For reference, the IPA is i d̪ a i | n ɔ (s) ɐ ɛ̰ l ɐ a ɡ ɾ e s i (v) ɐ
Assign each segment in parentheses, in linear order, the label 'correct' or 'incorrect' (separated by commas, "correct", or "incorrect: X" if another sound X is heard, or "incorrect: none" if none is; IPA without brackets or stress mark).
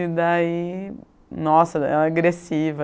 correct, correct